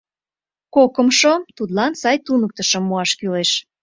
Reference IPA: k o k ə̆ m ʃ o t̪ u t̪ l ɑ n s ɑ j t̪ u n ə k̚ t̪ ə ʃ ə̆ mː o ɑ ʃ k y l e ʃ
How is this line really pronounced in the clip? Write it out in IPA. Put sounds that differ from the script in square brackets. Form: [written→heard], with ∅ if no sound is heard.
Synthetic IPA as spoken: k o k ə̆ m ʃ o t̪ u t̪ l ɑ n s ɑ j t̪ u n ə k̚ t̪ ə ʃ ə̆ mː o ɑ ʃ k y l e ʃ